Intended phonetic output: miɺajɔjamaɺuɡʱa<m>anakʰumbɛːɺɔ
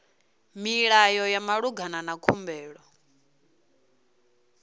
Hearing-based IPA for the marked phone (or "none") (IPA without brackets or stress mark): n